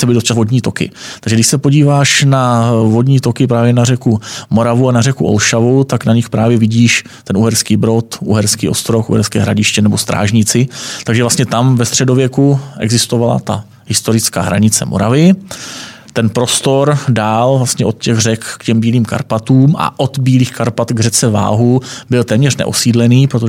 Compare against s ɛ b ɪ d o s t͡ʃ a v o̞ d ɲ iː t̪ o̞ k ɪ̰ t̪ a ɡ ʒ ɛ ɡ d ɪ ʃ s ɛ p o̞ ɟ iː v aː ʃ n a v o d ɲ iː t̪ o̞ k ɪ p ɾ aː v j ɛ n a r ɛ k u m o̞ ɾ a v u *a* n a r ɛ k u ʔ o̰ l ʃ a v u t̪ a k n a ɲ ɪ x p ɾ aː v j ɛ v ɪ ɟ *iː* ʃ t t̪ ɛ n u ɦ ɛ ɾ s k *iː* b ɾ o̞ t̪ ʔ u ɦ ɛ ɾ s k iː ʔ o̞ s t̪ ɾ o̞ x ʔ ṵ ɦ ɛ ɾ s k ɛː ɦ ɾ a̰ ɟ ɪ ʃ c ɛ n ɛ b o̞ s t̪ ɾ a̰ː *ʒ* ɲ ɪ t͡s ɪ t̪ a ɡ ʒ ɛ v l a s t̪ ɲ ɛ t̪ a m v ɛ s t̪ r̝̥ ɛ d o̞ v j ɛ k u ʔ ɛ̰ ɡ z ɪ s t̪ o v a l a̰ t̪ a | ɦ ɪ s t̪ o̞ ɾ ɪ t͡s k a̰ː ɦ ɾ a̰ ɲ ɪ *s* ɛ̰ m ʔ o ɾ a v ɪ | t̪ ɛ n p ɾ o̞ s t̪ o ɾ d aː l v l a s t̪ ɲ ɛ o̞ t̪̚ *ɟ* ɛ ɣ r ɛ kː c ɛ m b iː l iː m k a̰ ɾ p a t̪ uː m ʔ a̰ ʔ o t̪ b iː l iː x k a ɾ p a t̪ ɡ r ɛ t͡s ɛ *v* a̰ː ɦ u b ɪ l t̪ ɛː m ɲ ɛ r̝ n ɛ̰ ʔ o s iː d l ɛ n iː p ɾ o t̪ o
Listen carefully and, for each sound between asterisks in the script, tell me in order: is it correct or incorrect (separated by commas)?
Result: correct, correct, correct, correct, incorrect, incorrect, correct